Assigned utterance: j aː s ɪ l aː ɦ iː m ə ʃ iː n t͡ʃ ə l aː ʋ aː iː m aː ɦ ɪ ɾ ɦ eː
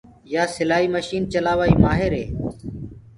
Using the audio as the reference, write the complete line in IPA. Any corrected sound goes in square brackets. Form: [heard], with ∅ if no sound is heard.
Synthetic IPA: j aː s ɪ l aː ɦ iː m ə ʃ iː n t͡ʃ ə l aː ʋ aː iː m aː ɦ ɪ ɾ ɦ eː